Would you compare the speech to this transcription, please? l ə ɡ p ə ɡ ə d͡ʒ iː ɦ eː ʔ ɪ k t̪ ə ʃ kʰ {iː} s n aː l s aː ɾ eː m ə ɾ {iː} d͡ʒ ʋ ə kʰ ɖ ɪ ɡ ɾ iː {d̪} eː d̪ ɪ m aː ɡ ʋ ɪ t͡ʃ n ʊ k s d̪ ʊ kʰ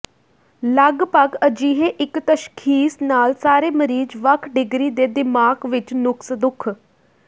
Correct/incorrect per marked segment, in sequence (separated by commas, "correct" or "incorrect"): correct, correct, correct